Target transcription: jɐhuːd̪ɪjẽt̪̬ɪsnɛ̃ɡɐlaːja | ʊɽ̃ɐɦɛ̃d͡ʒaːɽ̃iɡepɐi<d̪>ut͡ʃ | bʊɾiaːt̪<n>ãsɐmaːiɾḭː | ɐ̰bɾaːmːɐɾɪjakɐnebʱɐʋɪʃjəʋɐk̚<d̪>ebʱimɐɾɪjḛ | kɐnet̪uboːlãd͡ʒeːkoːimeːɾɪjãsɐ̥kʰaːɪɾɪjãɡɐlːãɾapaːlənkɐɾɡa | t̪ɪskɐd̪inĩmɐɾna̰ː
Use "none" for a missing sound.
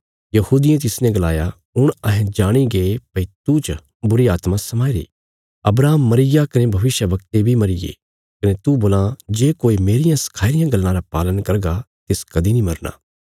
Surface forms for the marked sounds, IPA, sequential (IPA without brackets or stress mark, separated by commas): t̪, m, t̪